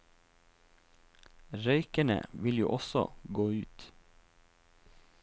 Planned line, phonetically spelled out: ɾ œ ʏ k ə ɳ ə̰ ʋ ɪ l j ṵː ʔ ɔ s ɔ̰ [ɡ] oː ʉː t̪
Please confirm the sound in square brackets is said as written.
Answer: yes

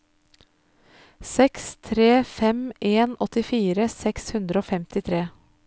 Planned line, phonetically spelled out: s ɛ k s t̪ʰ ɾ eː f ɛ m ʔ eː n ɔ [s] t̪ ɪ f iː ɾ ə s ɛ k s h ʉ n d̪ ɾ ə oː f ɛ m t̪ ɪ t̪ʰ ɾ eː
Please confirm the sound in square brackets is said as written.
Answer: no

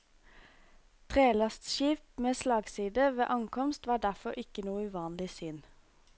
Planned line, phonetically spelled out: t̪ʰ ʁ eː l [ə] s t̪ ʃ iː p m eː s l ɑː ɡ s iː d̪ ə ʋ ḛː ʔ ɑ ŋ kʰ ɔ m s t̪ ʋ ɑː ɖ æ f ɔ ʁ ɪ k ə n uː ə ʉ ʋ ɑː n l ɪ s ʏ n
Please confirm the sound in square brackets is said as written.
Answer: no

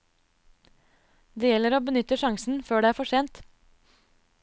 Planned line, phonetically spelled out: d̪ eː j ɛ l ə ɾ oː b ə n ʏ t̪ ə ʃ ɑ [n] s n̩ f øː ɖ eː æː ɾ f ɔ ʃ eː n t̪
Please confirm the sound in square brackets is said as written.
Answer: no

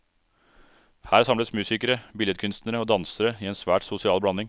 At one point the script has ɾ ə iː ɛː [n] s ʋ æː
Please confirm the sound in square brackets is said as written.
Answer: yes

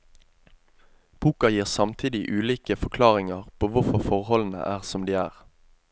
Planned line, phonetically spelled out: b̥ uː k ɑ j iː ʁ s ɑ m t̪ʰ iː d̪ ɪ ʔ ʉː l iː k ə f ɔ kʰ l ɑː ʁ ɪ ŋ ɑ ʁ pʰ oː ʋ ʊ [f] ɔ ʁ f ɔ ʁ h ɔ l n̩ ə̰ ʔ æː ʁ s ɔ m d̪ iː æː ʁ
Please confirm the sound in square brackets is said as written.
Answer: yes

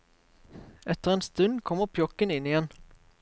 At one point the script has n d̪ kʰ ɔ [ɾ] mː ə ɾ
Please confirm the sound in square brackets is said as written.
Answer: no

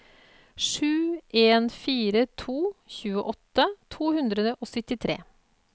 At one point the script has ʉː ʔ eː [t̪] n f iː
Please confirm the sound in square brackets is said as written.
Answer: no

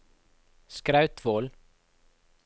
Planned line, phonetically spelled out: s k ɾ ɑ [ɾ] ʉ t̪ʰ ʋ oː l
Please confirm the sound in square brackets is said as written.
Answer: no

